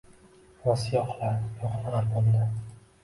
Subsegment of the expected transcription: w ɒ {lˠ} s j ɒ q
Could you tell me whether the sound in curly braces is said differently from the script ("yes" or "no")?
yes